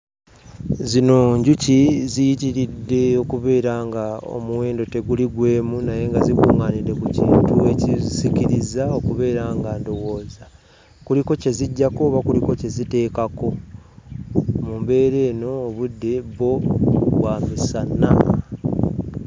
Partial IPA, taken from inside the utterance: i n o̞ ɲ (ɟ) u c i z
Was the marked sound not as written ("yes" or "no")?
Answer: no